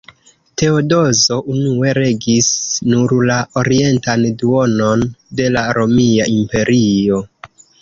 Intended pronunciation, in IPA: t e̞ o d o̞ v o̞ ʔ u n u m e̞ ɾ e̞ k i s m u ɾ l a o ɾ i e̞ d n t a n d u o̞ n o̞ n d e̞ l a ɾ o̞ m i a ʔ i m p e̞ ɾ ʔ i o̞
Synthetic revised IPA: t e̞ o d o̞ z o̞ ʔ u n u e̞ ɾ e̞ ɡ i s n u ɾ l a o ɾ i e̞ n t a n d u o̞ n o̞ n d e̞ l a ɾ o̞ m i a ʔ i m p e̞ ɾ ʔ i o̞